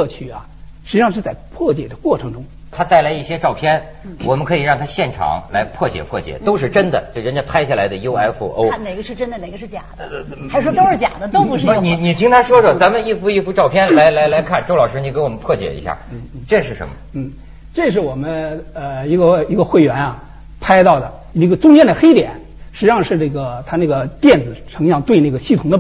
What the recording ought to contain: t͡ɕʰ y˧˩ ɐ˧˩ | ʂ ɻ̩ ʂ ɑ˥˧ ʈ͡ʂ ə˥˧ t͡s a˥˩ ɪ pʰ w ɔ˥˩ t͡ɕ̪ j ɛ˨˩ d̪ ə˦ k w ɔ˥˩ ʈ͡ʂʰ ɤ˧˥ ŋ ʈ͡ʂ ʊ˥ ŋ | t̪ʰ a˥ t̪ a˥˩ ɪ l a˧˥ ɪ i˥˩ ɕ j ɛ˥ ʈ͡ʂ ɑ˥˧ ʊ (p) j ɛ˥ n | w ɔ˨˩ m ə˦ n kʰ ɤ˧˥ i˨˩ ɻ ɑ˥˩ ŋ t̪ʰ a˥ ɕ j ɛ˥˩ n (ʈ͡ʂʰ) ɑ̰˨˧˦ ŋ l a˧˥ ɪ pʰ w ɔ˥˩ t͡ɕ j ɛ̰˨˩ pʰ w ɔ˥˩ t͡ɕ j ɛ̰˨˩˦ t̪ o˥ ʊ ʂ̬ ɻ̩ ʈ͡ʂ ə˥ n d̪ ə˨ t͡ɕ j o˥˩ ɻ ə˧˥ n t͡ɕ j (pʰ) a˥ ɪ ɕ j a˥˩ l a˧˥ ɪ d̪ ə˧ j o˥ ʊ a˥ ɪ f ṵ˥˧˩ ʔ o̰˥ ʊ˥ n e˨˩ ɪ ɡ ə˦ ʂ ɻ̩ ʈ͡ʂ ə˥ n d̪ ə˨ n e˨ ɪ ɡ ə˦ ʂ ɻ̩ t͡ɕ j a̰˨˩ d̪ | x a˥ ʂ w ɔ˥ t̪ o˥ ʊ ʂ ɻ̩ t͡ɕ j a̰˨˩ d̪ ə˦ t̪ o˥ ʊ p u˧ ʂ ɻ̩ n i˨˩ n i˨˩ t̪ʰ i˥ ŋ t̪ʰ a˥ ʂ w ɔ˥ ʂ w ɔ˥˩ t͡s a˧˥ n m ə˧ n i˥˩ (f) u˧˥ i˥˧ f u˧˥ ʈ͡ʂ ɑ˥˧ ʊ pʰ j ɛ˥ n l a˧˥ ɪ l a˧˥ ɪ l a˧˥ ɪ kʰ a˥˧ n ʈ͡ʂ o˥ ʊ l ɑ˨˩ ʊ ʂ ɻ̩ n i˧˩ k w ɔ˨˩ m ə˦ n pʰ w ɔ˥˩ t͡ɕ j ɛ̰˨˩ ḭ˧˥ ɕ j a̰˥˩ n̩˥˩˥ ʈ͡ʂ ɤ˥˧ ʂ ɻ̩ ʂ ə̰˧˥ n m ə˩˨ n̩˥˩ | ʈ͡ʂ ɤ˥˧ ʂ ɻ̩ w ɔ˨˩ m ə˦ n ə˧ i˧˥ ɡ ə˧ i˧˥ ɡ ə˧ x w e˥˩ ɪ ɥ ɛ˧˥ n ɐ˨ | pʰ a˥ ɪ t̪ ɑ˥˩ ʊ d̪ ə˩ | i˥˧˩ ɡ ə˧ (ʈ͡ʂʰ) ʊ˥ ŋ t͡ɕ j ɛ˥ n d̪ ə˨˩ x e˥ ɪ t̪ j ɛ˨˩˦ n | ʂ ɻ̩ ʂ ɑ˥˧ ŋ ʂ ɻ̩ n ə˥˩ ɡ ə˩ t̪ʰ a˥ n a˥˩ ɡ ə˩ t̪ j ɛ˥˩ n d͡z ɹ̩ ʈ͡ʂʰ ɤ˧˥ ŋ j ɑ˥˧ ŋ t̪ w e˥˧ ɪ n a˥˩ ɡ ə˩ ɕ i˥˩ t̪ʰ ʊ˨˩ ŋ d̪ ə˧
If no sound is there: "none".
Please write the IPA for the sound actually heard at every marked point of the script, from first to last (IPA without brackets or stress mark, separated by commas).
pʰ, ʈ͡ʂʰ, pʰ, f, ʈ͡ʂ